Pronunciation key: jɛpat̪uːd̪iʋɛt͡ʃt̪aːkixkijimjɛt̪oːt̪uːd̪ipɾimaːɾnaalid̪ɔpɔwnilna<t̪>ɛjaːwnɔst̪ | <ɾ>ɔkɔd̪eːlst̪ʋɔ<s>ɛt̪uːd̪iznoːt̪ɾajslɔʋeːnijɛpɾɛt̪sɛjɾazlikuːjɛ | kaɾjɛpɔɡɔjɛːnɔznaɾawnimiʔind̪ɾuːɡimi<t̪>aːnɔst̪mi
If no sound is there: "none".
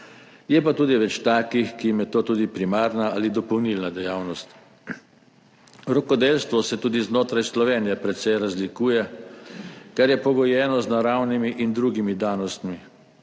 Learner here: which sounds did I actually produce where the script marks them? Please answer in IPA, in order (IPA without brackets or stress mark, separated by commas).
d̪, ɾ, s, d̪